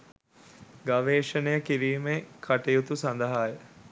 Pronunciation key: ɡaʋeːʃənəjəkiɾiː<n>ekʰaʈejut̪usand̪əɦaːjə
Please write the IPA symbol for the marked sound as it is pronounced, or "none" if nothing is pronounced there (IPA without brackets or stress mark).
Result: m